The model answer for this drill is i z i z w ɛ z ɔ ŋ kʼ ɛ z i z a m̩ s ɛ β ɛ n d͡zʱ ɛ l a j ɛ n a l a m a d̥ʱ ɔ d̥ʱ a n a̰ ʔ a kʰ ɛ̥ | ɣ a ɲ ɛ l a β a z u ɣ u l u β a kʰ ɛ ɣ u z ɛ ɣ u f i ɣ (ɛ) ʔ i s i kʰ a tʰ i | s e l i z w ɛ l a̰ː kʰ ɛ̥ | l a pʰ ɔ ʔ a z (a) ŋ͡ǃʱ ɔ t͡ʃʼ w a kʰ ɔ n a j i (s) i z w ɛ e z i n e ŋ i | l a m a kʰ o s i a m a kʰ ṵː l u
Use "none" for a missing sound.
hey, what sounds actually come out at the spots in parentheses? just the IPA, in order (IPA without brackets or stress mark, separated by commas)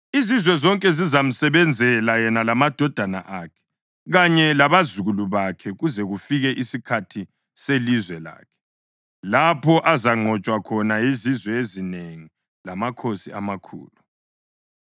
ɛ, a, z